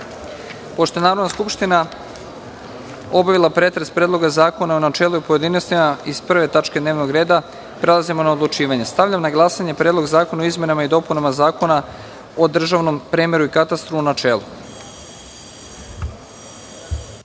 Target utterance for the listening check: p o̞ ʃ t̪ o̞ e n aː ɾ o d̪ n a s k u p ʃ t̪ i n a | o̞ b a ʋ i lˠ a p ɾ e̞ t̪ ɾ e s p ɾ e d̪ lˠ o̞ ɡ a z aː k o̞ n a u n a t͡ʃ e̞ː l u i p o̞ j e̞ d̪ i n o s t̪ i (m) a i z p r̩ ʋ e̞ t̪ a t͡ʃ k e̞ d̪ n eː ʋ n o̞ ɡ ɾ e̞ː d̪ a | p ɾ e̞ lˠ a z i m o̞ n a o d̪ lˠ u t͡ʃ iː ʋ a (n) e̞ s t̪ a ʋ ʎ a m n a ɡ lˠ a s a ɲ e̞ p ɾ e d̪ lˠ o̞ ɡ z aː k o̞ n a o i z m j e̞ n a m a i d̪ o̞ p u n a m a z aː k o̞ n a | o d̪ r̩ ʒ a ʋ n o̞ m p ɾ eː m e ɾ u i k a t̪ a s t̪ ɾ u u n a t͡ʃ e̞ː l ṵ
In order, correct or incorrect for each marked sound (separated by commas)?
correct, incorrect